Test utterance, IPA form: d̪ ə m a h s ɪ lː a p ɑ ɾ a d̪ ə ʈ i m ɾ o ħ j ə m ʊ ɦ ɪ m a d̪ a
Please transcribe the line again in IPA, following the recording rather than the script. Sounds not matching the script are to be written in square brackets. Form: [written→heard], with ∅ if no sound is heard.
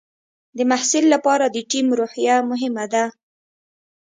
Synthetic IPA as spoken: d̪ ə m a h s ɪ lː a p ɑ ɾ a d̪ ə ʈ i m ɾ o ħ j [ə→a] m ʊ ɦ ɪ m a d̪ a